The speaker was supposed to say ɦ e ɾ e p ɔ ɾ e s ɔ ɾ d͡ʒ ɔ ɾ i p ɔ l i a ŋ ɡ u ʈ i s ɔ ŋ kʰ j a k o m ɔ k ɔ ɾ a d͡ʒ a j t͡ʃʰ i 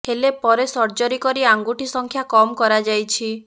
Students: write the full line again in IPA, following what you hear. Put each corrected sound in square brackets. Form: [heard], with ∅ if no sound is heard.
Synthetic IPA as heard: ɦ e [l] e p ɔ ɾ e s ɔ ɾ d͡ʒ ɔ ɾ i [k] ɔ [ɾ] i a ŋ ɡ u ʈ i s ɔ ŋ kʰ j a k [ɔ] m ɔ k ɔ ɾ a d͡ʒ a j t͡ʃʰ i

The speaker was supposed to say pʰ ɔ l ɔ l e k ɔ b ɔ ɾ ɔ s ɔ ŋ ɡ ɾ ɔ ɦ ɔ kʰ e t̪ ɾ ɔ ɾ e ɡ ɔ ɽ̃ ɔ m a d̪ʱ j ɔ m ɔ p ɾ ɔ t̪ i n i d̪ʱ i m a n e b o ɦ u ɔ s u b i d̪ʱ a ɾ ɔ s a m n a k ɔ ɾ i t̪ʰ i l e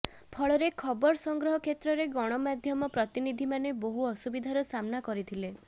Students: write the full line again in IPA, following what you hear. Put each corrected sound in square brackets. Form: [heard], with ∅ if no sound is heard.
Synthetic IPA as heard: pʰ ɔ [ɭ] ɔ [ɾ] e [kʰ] ɔ b ɔ ɾ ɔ s ɔ ŋ ɡ ɾ ɔ ɦ ɔ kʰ e t̪ ɾ ɔ ɾ e ɡ ɔ ɽ̃ ɔ m a d̪ʱ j ɔ m ɔ p ɾ ɔ t̪ i n i d̪ʱ i m a n e b o ɦ u ɔ s u b i d̪ʱ a ɾ ɔ s a m n a k ɔ ɾ i t̪ʰ i l e

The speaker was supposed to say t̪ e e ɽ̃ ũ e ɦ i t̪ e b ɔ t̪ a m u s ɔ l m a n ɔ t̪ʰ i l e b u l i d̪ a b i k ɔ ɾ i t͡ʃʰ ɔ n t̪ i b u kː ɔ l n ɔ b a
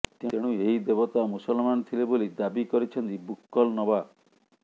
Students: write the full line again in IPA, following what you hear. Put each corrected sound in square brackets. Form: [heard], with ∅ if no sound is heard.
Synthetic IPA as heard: t̪ e e ɽ̃ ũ e ɦ i [d̪] e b ɔ t̪ a m u s ɔ l m a n ɔ t̪ʰ i l e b [o] l i d̪ a b i k ɔ ɾ i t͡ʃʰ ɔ n t̪ i b u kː ɔ l n ɔ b a

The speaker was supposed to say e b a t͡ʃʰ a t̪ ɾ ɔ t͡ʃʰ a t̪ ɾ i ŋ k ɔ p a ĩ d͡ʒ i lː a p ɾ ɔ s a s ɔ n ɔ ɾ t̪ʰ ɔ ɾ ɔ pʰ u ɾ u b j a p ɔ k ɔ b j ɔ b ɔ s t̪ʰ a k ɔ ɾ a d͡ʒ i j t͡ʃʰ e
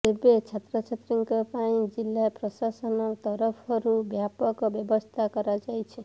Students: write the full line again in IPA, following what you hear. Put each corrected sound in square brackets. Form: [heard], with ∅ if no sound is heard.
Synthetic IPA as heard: e b [e] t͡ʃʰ a t̪ ɾ ɔ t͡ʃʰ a t̪ ɾ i ŋ k ɔ p a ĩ d͡ʒ i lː a p ɾ ɔ s a s ɔ n ɔ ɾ [t̪] ɔ ɾ ɔ pʰ [ɔ] ɾ u b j a p ɔ k ɔ b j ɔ b ɔ s t̪ʰ a k ɔ ɾ a d͡ʒ [a] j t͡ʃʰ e

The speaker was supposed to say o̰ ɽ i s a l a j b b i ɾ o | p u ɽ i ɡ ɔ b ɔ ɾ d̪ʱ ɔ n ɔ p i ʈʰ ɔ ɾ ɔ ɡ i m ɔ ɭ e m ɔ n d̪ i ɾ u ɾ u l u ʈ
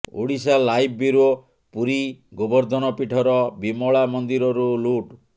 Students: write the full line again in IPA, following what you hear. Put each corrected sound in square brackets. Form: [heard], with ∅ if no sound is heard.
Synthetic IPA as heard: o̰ ɽ i s a l a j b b i ɾ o | p u [ɾ] i ɡ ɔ b ɔ ɾ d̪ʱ ɔ n ɔ p i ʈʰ ɔ ɾ ɔ [b] i m ɔ ɭ [a] m ɔ n d̪ i ɾ [ɔ] ɾ u l u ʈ

